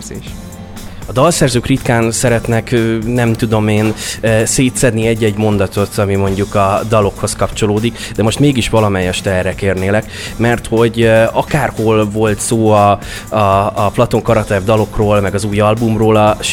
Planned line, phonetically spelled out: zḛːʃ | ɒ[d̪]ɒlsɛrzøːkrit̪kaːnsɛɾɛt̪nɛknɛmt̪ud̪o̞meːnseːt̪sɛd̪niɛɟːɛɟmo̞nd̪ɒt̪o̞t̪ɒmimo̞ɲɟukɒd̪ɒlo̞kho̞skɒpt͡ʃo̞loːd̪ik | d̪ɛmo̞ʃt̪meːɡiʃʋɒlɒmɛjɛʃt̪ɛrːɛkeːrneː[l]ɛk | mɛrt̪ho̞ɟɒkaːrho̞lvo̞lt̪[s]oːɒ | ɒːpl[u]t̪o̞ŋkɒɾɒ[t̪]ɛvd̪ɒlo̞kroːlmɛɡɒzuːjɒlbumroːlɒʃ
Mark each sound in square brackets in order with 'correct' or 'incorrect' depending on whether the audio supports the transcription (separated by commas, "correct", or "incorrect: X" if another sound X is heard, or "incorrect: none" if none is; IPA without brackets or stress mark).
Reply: correct, correct, correct, incorrect: ɒ, correct